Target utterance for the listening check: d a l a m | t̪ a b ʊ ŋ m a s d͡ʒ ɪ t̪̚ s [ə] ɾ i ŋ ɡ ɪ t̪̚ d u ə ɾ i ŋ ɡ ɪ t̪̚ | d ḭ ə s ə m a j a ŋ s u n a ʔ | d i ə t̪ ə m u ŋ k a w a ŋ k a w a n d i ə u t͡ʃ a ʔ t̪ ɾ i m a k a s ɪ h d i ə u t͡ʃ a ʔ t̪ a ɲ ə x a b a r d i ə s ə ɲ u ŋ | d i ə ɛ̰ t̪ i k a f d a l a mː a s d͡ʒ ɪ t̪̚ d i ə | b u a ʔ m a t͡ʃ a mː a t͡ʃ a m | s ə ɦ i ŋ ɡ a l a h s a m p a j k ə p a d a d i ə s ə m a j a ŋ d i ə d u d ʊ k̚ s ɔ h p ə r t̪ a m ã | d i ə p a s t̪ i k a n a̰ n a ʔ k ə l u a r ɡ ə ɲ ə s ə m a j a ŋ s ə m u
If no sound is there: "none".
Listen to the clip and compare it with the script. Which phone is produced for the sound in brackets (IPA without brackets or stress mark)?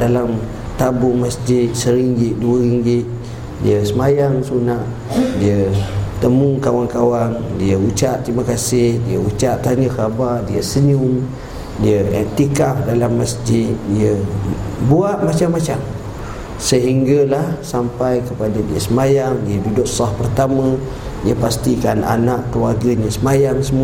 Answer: ə